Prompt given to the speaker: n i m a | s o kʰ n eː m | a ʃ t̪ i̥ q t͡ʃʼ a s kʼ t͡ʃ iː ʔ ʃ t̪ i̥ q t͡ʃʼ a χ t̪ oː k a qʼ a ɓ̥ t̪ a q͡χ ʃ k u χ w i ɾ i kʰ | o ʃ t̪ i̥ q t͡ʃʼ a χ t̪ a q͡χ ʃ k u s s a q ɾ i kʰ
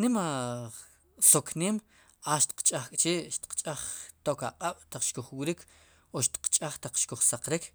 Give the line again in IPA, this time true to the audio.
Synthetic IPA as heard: n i m a | s o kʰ n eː m | a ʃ t̪ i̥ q t͡ʃʼ a χ kʼ t͡ʃ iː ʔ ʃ t̪ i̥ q t͡ʃʼ a χ t̪ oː k a qʼ a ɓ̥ t̪ a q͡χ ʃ k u χ w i ɾ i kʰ | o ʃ t̪ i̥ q t͡ʃʼ a χ t̪ a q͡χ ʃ k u χ s a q ɾ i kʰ